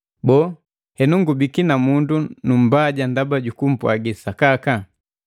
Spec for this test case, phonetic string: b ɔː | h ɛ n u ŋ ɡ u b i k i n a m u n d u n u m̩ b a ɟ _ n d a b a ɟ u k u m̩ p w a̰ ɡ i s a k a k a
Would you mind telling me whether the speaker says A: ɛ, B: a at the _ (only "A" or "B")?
B